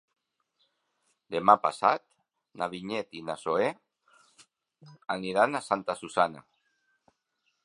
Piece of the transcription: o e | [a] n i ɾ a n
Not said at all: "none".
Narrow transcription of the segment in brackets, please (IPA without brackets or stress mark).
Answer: a